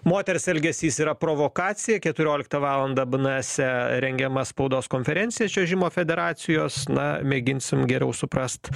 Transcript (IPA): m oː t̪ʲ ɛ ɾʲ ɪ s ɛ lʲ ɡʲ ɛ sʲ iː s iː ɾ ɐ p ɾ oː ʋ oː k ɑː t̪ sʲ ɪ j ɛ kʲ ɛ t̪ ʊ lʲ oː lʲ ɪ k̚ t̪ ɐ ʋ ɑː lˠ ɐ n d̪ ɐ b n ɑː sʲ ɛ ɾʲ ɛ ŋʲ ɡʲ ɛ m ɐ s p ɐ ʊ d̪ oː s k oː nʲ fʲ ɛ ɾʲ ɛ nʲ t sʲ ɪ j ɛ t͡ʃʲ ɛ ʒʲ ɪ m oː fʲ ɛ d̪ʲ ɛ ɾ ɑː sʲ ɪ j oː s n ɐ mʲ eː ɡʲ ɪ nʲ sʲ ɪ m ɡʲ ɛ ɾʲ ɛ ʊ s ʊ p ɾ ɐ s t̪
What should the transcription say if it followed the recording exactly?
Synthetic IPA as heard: m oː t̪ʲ ɛ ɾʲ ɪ s ɛ lʲ ɡʲ ɛ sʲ iː s iː ɾ ɐ p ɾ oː ʋ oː k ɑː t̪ sʲ ɪ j ɛ kʲ ɛ t̪ ʊ ɾʲ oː lʲ ɪ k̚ t̪ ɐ ʋ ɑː lˠ ɐ n d̪ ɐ b n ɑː sʲ ɛ ɾʲ ɛ ŋʲ ɡʲ ɛ m ɐ s p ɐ ʊ d̪ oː s k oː nʲ fʲ ɛ ɾʲ ɛ nʲ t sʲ ɪ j ɛ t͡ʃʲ ɛ ʒʲ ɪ m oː fʲ ɛ d̪ʲ ɛ ɾ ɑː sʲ ɪ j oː s n ɐ mʲ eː ɡʲ ɪ nʲ sʲ ɪ m ɡʲ ɛ ɾʲ ɛ ʊ s ʊ p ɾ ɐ s t̪